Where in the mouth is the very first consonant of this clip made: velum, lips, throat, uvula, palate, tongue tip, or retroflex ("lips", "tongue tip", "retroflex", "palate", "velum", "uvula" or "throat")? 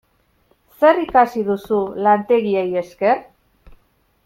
tongue tip